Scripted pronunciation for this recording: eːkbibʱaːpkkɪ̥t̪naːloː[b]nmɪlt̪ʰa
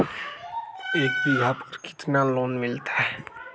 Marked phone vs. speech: incorrect: none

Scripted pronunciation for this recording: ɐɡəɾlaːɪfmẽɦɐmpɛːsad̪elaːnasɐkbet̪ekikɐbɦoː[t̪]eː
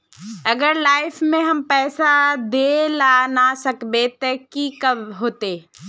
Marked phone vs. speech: correct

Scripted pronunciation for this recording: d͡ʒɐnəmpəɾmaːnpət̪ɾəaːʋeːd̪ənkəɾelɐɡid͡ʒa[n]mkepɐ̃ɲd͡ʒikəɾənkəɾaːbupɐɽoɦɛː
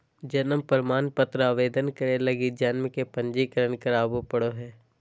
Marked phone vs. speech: correct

